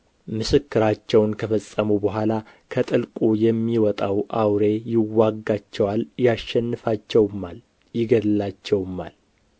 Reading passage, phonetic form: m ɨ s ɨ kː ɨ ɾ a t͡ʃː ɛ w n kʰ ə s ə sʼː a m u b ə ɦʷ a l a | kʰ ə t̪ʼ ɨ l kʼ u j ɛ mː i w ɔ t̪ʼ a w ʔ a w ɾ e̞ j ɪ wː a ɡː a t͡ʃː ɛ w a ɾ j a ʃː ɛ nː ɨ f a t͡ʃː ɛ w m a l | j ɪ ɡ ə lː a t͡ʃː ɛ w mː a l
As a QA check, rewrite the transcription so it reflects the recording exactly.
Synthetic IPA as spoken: m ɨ s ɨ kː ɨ ɾ a t͡ʃː ɛ w n kʰ ə f ə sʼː ə m u b ə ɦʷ a l a | kʰ ə t̪ʼ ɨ l kʼ u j ɛ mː i w ɔ t̪ʼ a w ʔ a w ɾ e̞ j ɪ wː a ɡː a t͡ʃː ɛ w a l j a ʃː ɛ nː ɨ f a t͡ʃː ɛ w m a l | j ɪ ɡ ə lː a t͡ʃː ɛ w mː a l